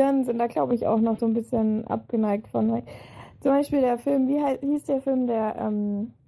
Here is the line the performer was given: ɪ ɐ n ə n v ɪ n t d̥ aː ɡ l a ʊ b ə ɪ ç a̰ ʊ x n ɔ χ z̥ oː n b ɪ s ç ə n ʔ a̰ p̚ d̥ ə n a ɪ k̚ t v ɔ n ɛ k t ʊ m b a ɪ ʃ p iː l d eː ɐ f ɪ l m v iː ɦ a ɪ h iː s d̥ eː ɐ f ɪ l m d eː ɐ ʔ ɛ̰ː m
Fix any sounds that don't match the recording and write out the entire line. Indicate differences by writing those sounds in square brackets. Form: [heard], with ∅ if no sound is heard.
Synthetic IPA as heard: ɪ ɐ n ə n [z] ɪ n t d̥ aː ɡ l a ʊ b ə ɪ ç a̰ ʊ x n ɔ χ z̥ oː n b ɪ s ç ə n ʔ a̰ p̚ [ɡ̥] ə n a ɪ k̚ t [f] ɔ n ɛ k [t͡s] ʊ m b a ɪ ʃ p iː l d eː ɐ f ɪ l m v iː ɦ a ɪ h iː s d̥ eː ɐ f ɪ l m d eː ɐ ʔ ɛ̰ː m